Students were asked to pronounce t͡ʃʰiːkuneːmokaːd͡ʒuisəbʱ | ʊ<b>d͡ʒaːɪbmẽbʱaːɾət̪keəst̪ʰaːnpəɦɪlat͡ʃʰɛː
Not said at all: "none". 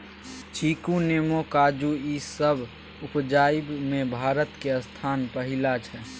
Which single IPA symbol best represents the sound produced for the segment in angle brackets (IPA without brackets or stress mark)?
p